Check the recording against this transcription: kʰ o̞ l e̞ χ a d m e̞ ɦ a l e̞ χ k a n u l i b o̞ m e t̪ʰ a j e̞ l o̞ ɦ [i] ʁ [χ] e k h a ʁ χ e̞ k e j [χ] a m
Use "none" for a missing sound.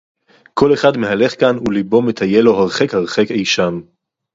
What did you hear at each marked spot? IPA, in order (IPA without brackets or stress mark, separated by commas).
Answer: a, χ, ʃ